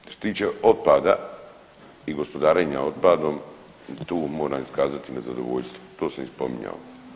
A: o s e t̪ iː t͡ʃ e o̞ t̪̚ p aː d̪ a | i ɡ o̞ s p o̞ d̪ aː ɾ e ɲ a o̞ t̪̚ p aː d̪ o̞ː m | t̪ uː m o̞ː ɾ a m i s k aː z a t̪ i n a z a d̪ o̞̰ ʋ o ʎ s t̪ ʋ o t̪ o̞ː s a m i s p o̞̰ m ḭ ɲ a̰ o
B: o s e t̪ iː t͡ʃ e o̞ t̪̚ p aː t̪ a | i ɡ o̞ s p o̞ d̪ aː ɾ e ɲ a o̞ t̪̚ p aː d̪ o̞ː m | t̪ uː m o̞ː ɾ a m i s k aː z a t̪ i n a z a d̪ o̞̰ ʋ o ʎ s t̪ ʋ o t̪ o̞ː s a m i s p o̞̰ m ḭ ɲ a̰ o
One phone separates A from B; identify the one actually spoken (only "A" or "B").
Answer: A